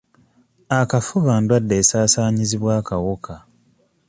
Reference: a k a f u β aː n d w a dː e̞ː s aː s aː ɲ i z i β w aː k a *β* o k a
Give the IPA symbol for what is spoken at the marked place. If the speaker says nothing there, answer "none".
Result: w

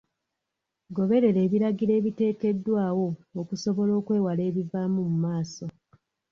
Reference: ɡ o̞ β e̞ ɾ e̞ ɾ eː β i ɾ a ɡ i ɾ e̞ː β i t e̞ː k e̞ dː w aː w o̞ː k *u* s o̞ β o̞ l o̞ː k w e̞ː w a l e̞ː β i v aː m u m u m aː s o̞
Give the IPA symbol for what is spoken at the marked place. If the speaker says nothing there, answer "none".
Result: u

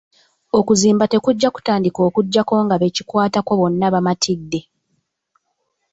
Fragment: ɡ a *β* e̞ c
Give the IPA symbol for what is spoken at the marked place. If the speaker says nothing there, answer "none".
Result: β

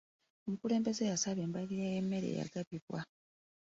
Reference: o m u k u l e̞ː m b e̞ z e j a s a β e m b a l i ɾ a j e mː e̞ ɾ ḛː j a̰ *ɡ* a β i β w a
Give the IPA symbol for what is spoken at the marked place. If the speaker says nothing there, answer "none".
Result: ɡ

